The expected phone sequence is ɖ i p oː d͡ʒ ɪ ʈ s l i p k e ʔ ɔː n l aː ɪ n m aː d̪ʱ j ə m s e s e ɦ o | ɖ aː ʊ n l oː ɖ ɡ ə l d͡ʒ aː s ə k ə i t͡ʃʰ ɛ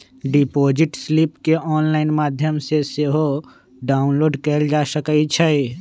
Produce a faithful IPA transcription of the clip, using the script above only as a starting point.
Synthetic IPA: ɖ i p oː d͡ʒ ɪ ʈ s l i p k e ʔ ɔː n l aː ɪ n m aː d̪ʱ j ə m s e s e ɦ o | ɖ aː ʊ n l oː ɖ k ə l d͡ʒ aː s ə k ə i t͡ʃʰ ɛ